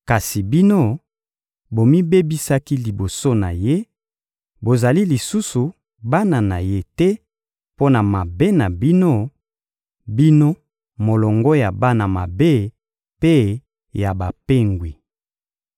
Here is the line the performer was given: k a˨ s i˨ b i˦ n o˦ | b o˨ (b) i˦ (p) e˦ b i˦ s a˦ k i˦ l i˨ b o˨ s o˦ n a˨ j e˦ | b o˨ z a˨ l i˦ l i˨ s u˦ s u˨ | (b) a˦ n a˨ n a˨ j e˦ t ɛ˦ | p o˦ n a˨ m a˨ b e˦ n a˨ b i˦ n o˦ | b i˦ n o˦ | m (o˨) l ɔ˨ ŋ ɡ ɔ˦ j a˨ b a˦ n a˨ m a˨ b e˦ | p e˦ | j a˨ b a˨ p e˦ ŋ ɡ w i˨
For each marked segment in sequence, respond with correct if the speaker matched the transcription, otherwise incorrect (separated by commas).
incorrect, incorrect, correct, correct